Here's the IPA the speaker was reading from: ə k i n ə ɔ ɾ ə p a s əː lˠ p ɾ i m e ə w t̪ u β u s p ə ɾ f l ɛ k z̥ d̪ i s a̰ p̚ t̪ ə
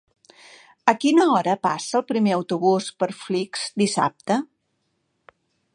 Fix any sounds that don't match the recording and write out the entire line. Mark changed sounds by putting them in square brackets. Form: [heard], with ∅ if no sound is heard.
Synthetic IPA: ə k i n ə ɔ ɾ ə p a s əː lˠ p ɾ i m e ə w t̪ u β u s p ə ɾ f l [i] k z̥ d̪ i s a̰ p̚ t̪ ə